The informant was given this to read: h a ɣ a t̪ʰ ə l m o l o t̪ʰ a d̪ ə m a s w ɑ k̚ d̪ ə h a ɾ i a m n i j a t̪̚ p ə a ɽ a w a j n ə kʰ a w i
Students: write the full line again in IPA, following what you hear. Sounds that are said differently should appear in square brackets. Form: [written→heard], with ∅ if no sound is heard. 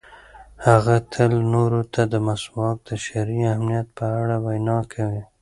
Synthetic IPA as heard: h a ɣ a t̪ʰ ə l [m→n] o [l→ɾ] o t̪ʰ a d̪ ə m a s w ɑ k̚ d̪ ə [h→ʃ] a ɾ i a m n i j a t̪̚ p ə a ɽ a w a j n [ə→ɑ] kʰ a w i